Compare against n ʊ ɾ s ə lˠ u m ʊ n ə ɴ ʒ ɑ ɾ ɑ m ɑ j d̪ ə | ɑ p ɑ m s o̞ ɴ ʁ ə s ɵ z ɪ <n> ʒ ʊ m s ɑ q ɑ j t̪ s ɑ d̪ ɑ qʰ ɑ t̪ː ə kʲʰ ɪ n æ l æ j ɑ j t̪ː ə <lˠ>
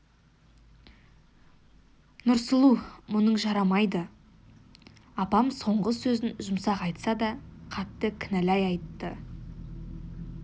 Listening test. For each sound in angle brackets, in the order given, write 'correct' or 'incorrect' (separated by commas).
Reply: correct, incorrect